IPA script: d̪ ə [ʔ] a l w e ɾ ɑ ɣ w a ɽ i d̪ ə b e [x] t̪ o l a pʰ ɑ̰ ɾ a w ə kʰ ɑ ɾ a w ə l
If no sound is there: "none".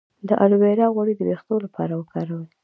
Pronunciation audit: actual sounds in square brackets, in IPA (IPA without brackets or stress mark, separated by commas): ʔ, x